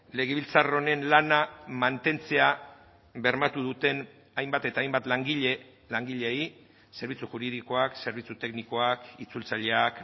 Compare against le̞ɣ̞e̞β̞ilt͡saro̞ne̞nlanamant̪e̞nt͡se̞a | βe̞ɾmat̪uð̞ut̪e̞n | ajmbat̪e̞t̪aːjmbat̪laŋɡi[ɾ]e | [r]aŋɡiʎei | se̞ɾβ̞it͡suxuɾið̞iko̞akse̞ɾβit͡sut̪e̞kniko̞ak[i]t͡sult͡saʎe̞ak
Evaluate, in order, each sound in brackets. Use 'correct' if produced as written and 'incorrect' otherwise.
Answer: incorrect, incorrect, correct

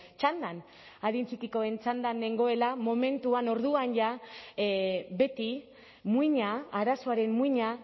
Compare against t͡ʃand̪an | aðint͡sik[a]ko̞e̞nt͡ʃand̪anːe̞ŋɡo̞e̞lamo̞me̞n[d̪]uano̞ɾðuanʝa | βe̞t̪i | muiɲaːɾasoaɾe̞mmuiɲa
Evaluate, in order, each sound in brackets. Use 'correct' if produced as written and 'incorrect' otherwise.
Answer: incorrect, incorrect

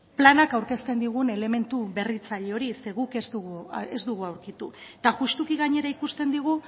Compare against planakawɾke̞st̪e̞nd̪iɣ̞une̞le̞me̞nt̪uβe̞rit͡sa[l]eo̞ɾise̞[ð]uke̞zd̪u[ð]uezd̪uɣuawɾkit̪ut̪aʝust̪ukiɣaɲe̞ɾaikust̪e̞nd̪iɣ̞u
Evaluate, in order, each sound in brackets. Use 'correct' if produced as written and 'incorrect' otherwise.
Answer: incorrect, incorrect, incorrect

